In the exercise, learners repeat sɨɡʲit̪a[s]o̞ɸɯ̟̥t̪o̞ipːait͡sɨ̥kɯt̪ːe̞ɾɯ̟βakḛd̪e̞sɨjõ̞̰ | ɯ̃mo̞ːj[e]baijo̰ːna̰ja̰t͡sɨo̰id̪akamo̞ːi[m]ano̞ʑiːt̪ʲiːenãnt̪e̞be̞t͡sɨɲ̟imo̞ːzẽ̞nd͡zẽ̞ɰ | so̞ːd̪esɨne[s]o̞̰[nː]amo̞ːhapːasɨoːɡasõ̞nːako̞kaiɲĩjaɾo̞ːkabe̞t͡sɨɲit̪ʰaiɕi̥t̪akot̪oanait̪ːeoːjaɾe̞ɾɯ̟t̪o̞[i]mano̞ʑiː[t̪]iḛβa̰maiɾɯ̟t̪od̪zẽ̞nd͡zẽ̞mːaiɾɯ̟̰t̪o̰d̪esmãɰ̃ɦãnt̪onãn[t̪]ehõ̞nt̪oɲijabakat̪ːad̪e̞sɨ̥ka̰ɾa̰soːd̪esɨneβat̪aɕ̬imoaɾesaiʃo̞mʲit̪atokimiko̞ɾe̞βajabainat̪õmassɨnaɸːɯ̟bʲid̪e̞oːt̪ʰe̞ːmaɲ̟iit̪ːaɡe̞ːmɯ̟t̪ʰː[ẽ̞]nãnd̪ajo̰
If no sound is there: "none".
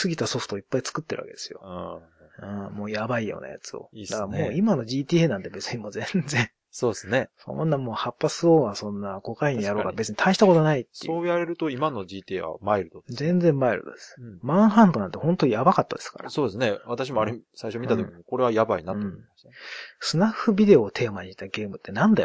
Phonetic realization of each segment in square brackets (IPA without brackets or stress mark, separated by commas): s, a, m, s, nː, i, t̪, t̪, e̞